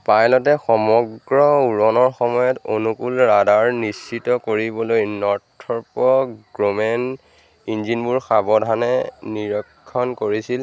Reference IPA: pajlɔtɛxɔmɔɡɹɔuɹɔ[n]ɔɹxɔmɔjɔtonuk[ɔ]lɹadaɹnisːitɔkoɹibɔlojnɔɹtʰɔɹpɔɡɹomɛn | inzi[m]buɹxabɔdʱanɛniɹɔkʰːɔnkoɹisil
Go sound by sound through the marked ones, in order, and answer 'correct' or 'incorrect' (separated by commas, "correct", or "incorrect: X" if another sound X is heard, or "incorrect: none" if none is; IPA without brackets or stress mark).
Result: correct, incorrect: u, incorrect: n